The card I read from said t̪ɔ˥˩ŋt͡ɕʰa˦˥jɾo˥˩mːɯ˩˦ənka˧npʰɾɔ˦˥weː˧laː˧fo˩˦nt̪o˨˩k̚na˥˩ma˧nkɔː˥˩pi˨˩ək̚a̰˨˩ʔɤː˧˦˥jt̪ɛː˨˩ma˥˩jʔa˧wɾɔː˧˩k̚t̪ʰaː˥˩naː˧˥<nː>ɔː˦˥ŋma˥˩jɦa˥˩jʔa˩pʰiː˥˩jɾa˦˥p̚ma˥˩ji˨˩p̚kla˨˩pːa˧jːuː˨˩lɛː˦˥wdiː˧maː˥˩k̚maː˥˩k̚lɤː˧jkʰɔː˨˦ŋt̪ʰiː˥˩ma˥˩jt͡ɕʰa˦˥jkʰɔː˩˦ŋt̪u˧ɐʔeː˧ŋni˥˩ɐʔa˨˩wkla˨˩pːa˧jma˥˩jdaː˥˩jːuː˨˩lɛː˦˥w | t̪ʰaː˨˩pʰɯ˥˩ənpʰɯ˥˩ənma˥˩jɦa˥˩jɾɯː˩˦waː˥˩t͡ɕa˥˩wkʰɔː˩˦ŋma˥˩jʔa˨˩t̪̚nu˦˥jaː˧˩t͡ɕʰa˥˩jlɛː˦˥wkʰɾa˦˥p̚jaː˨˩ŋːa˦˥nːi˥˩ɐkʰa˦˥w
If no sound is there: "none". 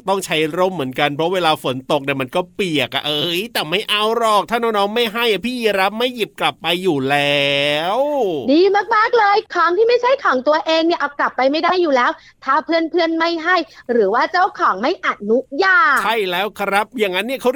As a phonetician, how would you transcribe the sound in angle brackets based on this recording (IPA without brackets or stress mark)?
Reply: n